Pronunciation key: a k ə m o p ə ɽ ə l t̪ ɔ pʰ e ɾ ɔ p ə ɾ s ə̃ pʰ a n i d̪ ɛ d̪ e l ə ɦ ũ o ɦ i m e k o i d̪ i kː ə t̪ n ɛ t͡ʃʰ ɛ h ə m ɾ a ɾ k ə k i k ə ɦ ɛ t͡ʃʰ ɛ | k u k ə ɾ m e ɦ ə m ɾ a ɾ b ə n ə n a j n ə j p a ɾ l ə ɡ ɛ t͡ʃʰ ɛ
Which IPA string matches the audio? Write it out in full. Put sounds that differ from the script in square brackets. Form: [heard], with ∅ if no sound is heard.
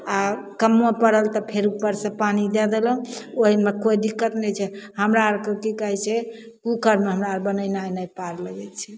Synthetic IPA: a k ə m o p ə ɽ ə l t̪ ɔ pʰ e ɾ [u] p ə ɾ s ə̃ [p] a n i d̪ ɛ d̪ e l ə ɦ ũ o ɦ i m e k o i d̪ i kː ə t̪ n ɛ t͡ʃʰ ɛ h ə m ɾ a ɾ k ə k i k ə ɦ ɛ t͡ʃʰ ɛ | k u k ə ɾ m e ɦ ə m ɾ a ɾ b ə n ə n a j n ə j p a ɾ l ə ɡ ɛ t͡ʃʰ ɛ